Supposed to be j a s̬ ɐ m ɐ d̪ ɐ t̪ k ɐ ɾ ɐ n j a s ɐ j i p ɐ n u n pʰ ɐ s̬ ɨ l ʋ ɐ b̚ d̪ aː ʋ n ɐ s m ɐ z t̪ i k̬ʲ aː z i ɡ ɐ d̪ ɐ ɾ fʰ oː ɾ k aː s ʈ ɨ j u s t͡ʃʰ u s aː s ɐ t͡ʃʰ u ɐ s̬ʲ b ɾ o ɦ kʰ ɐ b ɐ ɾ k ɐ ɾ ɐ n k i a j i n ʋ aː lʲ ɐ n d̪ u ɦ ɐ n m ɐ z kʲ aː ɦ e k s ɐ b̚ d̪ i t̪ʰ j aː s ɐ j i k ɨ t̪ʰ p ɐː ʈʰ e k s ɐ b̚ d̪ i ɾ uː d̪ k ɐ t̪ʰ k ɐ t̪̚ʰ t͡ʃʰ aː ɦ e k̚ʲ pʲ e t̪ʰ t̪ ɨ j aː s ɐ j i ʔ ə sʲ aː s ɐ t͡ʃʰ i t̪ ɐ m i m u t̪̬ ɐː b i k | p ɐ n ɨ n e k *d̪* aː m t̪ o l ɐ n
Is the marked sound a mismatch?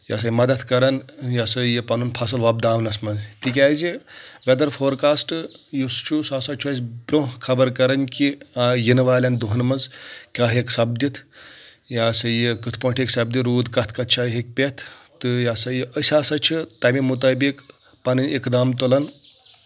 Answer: no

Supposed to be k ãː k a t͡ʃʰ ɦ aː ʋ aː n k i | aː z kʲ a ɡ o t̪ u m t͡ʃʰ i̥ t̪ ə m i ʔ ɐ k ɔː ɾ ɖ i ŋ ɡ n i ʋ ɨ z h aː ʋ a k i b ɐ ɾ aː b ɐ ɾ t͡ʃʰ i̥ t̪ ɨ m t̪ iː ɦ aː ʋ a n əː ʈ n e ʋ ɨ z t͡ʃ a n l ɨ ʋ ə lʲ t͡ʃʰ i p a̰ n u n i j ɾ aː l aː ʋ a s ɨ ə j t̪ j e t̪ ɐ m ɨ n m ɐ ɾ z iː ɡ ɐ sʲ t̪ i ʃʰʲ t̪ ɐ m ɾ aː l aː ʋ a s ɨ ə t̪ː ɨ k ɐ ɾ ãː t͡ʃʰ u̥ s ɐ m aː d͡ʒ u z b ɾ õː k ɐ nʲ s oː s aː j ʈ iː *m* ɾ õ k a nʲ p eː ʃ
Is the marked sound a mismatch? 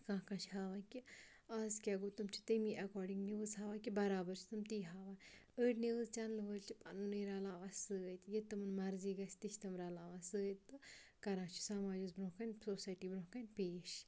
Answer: yes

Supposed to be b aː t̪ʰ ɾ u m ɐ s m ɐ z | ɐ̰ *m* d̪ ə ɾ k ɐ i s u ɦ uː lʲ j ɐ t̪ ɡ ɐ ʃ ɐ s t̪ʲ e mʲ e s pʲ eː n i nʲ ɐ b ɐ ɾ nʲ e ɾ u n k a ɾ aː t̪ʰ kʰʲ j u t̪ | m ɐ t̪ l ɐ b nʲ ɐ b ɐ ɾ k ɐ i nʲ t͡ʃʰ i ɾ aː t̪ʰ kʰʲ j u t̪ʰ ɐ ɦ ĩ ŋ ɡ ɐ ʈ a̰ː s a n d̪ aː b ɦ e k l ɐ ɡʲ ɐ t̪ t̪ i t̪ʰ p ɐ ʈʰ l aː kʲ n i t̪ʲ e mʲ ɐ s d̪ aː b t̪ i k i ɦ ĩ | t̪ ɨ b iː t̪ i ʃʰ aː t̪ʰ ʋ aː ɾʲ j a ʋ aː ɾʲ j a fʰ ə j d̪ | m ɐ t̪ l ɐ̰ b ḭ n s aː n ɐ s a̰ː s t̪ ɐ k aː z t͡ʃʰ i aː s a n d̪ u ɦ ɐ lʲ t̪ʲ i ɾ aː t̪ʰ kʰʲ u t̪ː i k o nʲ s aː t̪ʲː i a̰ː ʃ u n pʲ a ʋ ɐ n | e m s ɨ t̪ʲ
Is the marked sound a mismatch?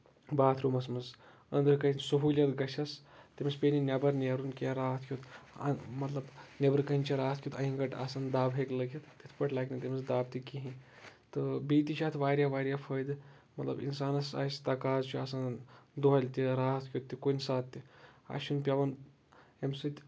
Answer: yes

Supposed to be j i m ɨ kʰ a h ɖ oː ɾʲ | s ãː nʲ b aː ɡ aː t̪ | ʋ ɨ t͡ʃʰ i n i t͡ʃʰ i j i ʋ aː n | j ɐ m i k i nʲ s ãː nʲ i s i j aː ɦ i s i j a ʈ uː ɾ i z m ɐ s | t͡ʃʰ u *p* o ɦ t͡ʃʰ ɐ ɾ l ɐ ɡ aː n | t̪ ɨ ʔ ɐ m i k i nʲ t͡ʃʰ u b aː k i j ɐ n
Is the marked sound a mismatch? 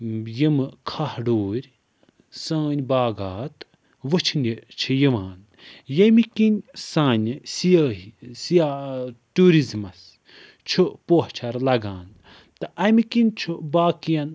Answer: no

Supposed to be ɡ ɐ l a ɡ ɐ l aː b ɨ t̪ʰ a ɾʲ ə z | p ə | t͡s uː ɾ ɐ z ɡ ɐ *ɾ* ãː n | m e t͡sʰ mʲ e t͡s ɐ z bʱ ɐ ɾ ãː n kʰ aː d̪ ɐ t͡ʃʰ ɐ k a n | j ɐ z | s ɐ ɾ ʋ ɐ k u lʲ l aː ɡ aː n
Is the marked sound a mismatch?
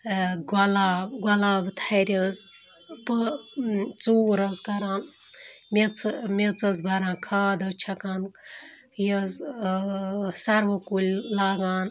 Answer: no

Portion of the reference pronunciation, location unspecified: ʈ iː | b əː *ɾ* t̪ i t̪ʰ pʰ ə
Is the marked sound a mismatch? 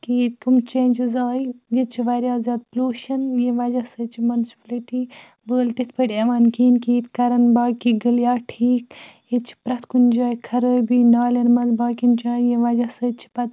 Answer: yes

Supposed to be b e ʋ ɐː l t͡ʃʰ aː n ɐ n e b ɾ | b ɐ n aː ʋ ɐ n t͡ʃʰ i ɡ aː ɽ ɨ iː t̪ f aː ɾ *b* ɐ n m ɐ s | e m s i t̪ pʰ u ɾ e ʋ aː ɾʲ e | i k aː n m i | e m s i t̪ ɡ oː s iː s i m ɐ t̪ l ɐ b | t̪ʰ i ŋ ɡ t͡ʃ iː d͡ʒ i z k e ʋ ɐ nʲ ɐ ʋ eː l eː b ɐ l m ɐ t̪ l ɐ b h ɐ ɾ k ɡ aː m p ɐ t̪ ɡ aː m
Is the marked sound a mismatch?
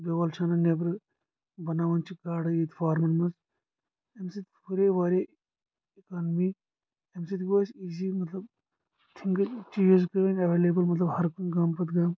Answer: yes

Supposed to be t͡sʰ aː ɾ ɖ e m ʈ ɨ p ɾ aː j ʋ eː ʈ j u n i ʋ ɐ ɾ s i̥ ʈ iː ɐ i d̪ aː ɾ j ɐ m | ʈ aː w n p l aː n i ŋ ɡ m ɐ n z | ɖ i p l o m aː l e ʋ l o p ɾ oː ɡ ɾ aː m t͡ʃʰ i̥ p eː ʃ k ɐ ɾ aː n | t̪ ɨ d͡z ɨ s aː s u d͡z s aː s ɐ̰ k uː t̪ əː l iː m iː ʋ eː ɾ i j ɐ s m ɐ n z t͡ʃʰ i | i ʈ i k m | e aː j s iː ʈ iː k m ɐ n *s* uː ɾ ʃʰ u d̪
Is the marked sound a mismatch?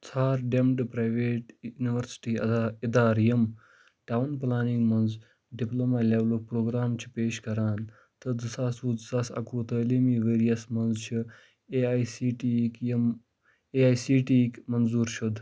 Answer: yes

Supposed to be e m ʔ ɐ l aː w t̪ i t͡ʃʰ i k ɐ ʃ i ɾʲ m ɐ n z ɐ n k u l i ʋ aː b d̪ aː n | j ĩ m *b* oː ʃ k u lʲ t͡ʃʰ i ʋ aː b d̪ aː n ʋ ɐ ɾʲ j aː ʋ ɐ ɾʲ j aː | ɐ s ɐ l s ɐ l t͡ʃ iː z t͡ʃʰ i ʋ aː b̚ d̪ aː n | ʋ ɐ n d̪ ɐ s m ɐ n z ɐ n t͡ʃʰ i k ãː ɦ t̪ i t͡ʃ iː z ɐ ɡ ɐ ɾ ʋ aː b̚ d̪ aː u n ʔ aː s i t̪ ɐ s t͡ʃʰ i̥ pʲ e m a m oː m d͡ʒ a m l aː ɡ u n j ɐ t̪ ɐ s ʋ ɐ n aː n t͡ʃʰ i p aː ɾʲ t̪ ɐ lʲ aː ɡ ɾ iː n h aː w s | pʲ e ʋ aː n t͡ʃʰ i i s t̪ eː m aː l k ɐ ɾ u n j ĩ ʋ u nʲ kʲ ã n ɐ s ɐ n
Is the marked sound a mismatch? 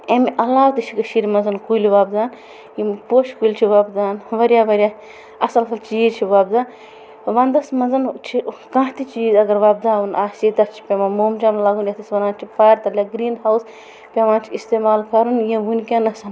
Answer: yes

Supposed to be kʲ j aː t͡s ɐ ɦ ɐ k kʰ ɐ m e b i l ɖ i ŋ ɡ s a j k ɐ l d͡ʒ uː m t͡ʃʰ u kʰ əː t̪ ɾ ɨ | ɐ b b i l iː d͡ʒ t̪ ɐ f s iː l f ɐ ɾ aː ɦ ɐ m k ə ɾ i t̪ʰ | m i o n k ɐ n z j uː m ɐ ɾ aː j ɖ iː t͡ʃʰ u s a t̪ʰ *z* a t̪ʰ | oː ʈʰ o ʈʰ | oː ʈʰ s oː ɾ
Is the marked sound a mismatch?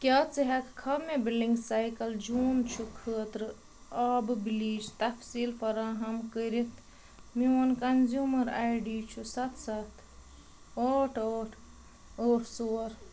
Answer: yes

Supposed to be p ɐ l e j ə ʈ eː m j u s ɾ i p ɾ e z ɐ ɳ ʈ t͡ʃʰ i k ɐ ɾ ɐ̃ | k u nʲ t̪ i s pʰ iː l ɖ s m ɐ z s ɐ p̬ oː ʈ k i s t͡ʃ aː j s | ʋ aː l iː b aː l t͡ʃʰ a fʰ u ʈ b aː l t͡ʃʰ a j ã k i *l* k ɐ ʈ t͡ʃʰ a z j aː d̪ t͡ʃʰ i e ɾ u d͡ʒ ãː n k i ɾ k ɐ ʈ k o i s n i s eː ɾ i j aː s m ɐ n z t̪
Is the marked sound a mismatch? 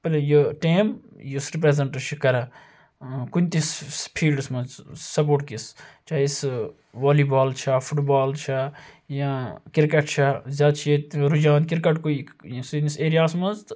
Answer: yes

